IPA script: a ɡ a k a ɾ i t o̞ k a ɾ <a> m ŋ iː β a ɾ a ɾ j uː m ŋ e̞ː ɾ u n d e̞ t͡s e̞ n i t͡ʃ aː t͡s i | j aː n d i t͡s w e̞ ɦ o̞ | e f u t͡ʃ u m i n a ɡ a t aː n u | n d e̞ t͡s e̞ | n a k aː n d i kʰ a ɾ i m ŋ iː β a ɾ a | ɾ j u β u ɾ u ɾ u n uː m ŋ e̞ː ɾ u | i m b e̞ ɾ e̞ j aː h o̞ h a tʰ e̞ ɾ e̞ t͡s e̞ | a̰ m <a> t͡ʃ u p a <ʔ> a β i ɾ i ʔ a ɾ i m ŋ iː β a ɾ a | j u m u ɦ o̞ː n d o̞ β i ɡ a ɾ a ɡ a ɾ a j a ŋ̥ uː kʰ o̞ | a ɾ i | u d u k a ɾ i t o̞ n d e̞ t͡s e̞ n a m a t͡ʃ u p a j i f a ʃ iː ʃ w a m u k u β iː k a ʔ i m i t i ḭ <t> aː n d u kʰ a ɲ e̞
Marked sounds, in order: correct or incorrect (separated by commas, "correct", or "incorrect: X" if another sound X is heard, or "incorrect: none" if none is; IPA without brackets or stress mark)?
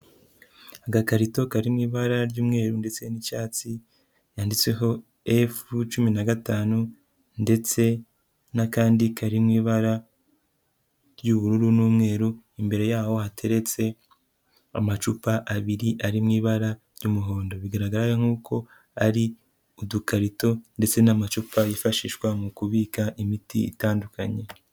incorrect: i, correct, correct, correct